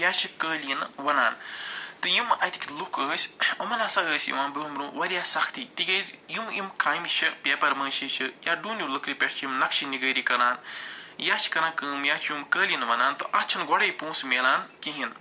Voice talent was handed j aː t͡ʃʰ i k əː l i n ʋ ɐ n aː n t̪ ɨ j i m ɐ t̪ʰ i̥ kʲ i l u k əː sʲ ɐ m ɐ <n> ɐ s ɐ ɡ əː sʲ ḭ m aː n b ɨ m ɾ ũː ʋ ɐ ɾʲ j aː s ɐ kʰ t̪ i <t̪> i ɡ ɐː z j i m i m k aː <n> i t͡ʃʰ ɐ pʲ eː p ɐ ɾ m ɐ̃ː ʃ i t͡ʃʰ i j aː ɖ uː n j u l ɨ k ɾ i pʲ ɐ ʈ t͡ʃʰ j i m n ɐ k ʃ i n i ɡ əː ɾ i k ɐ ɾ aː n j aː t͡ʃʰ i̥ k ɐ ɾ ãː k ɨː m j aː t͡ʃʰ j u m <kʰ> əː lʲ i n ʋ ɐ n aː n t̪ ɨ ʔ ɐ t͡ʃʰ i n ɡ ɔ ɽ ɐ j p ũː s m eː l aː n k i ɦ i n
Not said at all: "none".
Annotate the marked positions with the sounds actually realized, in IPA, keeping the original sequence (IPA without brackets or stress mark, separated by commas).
n, t̪, m, k